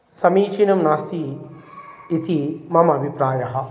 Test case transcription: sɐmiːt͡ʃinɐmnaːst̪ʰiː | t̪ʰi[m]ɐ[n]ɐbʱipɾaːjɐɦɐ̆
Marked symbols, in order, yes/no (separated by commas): yes, no